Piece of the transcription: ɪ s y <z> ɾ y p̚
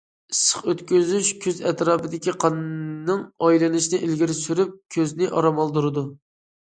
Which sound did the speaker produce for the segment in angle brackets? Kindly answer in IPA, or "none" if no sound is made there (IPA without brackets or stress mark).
none